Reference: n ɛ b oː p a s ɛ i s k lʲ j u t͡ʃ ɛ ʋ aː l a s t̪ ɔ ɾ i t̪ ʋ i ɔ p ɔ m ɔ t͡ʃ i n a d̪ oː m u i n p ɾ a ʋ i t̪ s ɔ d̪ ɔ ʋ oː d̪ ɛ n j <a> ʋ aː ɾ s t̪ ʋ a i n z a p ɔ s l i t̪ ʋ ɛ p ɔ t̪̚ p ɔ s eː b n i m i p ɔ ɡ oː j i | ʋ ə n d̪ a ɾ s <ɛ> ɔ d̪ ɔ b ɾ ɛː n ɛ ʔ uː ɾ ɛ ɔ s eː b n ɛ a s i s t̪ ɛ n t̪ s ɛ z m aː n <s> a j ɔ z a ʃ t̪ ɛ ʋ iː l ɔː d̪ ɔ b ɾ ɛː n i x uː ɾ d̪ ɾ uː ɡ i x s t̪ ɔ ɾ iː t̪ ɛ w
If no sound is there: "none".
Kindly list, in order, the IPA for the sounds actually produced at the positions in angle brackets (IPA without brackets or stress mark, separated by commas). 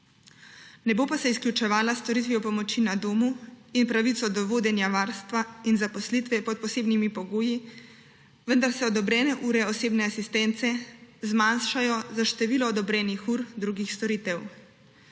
a, ɛ, ʃ